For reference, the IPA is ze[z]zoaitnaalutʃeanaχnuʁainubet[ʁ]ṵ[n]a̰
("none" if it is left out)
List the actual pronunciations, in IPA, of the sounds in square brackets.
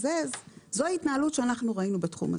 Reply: z, χ, m

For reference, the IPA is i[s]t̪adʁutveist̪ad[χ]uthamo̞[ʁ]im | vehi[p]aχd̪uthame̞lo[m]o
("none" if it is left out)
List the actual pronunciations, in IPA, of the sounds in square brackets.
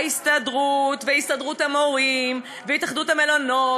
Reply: s, ʁ, ʁ, t, n

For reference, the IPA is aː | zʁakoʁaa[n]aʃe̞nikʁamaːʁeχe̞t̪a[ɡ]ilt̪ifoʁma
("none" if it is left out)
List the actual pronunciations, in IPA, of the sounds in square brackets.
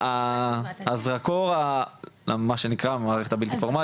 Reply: m, b

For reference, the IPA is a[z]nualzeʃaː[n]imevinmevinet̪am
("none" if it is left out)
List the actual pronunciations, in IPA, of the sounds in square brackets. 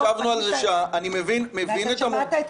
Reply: v, n

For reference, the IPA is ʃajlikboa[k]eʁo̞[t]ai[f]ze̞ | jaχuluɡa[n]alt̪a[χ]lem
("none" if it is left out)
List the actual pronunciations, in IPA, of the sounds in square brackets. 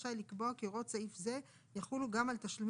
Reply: k, t͡s, f, m, ʃ

